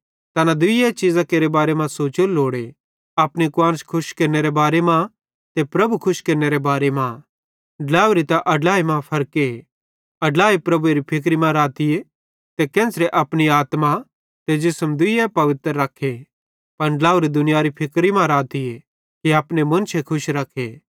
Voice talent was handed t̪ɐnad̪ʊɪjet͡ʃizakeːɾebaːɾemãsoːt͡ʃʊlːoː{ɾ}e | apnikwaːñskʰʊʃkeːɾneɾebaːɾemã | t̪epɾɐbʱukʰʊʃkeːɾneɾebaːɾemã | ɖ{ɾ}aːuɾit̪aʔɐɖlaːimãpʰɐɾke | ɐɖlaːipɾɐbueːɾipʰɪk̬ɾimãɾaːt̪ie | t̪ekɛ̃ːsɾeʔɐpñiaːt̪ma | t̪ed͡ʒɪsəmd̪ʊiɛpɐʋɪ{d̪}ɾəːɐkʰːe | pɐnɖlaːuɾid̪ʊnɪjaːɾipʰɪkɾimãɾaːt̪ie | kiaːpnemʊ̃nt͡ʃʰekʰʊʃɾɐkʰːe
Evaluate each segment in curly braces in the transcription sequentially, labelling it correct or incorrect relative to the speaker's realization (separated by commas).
incorrect, incorrect, incorrect